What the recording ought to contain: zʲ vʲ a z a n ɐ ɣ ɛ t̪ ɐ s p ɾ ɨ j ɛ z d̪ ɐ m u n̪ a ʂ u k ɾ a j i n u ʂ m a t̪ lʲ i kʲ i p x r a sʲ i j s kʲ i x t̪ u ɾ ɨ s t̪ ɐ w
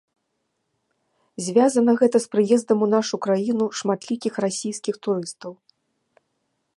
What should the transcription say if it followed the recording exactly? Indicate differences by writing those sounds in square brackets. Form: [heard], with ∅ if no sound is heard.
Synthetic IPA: zʲ vʲ a z [ɐ] n ɐ ɣ ɛ t̪ ɐ s p ɾ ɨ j ɛ z d̪ ɐ m u n̪ a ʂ u k ɾ a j i n u ʂ m a t̪ lʲ i kʲ i [∅] x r a sʲ i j s kʲ i x t̪ u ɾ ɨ s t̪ ɐ w